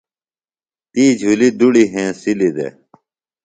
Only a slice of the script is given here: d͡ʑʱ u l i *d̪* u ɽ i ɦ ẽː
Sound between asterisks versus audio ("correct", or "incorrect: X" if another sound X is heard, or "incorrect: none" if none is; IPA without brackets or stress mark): correct